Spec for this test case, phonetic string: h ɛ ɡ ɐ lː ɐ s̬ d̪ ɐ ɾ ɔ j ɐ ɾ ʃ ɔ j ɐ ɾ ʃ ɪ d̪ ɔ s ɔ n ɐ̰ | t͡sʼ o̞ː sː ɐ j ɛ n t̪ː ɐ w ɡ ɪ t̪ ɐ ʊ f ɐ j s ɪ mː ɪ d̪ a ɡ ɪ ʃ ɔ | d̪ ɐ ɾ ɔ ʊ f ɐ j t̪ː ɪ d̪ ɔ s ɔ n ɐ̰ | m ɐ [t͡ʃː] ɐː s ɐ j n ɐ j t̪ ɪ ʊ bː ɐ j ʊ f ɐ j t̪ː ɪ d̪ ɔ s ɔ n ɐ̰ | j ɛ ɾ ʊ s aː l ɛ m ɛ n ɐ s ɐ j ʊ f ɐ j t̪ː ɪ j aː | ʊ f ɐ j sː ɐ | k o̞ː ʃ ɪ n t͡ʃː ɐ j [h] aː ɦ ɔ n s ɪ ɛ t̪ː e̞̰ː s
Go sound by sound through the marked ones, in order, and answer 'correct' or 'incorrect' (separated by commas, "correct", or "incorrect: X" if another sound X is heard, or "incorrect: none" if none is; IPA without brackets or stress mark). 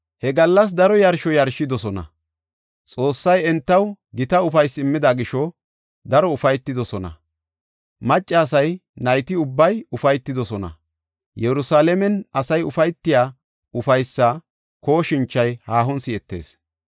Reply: incorrect: t͡ʃʼː, correct